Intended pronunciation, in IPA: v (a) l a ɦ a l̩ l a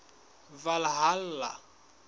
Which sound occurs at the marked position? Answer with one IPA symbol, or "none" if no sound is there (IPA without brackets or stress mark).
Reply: a